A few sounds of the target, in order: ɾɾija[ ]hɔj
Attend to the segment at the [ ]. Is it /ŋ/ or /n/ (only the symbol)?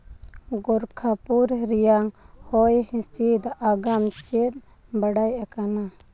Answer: ŋ